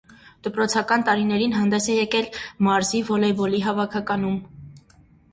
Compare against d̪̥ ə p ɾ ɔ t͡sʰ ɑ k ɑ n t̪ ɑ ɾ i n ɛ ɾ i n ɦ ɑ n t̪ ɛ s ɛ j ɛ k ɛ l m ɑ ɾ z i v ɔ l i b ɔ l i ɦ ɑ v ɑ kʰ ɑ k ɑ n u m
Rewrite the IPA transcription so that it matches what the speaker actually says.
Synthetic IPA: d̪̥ ə p ɾ ɔ t͡sʰ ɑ k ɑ n t̪ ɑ ɾ i n ɛ ɾ i n ɦ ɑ n d̪ ɛ s ɛ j ɛ k ɛ l m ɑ ɾ z i v ɔ l ɛ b ɔ l i ɦ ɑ v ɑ kʰ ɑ k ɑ n u m